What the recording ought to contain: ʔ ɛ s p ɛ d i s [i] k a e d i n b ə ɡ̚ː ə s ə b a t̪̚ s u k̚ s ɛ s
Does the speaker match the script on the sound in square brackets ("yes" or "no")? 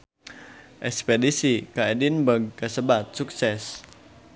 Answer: yes